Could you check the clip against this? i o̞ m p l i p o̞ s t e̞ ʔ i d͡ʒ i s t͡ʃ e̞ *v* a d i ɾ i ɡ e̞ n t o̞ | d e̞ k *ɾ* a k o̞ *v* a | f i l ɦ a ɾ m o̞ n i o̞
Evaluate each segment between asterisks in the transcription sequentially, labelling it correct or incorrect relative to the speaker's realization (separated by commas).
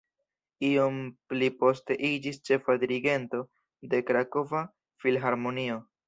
incorrect, correct, correct